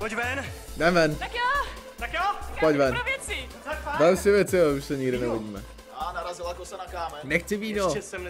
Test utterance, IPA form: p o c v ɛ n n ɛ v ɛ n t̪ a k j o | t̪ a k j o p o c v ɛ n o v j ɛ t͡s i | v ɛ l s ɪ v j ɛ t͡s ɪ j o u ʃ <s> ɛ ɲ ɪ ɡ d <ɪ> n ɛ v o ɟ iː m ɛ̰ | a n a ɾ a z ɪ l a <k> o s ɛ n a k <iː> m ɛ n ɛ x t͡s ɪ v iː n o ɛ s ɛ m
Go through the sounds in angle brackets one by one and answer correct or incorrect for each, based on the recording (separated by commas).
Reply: correct, correct, correct, incorrect